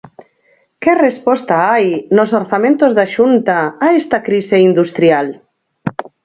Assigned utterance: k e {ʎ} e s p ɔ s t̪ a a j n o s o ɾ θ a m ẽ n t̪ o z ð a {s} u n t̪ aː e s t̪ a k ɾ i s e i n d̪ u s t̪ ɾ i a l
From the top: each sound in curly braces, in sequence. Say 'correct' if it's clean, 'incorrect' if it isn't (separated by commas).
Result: incorrect, incorrect